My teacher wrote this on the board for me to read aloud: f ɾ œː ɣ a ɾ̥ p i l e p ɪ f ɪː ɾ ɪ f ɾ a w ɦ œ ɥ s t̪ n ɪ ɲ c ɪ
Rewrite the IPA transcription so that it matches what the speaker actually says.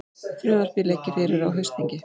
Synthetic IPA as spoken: f ɾ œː ð a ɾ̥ p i l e c ɪ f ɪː ɾ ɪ ɾ a w ɦ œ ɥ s t̪ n i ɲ c ɪ